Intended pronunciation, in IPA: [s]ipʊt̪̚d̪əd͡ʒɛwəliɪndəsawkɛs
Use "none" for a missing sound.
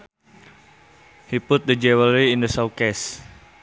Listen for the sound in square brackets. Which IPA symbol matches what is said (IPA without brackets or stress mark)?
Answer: h